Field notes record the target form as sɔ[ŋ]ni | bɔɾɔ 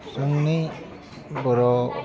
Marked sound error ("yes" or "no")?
no